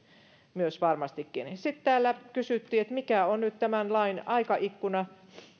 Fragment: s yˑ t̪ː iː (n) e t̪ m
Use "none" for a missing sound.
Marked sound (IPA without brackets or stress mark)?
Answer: none